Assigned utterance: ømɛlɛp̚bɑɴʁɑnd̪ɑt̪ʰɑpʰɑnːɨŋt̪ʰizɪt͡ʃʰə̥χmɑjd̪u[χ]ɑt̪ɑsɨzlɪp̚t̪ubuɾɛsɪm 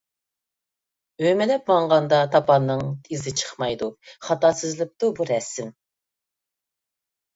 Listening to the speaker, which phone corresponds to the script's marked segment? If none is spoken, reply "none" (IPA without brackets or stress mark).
χ